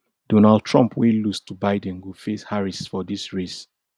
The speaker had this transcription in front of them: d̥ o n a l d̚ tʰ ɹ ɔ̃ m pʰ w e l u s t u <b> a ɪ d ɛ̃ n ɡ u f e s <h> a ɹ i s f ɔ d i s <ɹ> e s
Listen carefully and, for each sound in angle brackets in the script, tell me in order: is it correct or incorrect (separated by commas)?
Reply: correct, correct, correct